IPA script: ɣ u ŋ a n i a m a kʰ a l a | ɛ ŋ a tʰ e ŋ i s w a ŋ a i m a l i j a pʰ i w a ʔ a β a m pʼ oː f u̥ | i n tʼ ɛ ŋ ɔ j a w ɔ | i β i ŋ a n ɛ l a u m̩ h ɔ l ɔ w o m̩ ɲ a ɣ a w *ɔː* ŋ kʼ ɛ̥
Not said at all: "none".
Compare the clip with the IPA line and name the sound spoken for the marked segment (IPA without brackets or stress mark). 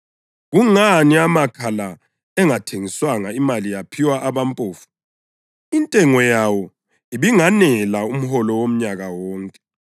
ɔː